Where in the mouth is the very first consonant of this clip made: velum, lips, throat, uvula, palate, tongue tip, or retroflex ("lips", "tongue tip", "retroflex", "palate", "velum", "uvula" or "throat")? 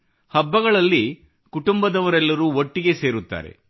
throat